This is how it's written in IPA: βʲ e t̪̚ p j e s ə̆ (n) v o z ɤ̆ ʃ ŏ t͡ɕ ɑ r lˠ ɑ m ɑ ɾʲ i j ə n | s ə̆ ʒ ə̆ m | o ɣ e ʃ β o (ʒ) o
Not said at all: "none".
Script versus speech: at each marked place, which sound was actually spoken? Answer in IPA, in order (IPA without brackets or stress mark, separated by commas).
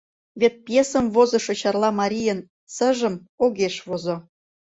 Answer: m, z